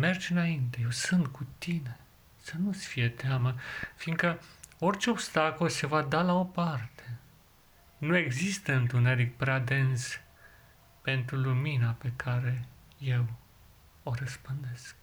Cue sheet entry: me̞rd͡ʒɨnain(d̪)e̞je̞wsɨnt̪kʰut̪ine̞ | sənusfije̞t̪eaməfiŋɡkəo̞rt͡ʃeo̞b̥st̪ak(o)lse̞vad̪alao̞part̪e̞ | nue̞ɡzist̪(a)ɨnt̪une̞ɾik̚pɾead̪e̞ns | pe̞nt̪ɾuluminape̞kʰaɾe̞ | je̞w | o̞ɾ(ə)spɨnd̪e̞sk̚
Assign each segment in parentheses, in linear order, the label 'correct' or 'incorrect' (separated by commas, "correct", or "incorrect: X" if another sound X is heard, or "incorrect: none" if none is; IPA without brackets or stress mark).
incorrect: t̪, correct, incorrect: ə, correct